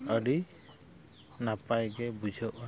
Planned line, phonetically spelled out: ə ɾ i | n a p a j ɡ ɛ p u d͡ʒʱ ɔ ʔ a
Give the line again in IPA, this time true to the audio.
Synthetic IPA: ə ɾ i | n a p a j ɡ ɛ b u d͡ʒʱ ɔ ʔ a